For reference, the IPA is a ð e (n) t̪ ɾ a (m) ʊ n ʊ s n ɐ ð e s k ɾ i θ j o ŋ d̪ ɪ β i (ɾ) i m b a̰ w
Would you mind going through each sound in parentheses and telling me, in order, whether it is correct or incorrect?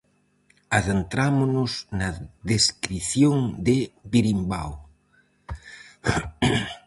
correct, correct, correct

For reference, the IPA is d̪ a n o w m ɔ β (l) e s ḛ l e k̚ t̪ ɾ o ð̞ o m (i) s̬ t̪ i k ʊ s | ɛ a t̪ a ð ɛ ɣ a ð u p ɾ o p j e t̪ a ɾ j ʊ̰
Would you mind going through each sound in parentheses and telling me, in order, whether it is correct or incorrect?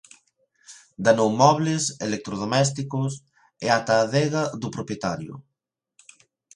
correct, incorrect

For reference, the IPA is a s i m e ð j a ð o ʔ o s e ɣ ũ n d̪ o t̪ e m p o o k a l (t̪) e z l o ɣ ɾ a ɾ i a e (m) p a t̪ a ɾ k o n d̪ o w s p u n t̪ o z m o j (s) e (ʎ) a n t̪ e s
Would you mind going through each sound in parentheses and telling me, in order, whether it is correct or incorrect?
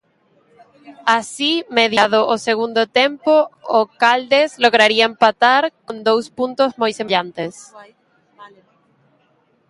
incorrect, correct, correct, correct

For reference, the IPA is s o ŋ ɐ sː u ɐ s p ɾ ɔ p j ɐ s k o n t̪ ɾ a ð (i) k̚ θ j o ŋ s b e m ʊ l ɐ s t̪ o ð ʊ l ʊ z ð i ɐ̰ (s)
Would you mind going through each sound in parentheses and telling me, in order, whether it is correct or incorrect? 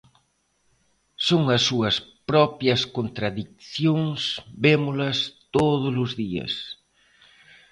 correct, correct

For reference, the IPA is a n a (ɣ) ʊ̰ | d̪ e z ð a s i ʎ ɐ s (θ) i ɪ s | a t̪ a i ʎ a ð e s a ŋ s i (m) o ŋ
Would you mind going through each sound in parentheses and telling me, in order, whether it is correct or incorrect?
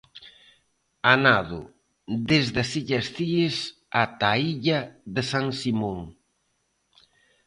incorrect, correct, correct

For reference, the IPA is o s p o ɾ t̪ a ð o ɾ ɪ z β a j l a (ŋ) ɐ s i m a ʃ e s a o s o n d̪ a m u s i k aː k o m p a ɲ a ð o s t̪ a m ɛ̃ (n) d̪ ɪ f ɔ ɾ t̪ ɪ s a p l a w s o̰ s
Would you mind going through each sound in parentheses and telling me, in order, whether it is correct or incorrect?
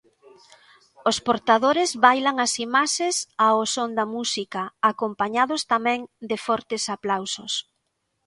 correct, incorrect

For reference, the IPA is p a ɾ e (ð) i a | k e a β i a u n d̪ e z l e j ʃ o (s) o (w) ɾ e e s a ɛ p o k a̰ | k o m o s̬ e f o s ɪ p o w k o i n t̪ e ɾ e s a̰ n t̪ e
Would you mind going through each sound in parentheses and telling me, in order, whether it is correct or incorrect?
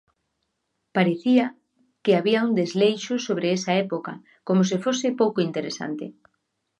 incorrect, correct, incorrect

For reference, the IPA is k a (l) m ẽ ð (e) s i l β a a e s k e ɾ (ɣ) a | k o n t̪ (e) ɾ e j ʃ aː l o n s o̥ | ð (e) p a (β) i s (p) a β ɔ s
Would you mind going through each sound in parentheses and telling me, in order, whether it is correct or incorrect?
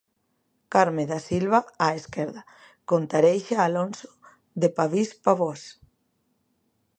incorrect, incorrect, incorrect, incorrect, correct, correct, correct

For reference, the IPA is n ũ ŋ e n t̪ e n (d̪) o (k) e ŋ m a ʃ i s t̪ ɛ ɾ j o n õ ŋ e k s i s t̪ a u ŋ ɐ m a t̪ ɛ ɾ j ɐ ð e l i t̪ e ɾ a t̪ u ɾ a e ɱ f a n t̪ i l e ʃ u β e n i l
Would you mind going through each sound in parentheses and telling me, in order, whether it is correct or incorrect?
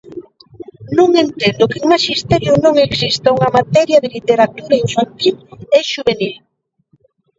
correct, correct

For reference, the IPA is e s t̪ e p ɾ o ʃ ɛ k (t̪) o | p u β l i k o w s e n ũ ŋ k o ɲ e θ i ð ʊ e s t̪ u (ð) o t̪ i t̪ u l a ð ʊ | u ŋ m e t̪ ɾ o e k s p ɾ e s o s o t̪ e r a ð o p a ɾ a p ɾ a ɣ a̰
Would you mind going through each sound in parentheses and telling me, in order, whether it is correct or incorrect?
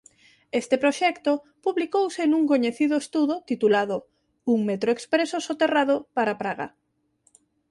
correct, correct

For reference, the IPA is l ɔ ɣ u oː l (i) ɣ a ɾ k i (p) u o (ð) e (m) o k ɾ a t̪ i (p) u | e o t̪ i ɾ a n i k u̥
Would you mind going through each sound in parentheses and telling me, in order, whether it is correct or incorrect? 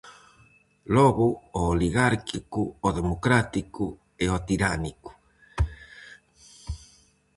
correct, incorrect, correct, correct, incorrect

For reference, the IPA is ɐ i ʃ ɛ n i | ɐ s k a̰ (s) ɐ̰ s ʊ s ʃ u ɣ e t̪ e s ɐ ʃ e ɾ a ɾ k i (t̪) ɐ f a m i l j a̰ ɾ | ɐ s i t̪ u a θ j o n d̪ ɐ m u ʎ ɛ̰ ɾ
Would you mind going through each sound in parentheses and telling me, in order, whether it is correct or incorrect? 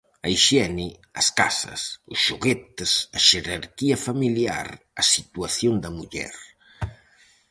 correct, incorrect

